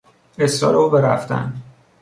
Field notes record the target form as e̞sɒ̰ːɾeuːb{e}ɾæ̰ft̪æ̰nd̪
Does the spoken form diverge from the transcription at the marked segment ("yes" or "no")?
no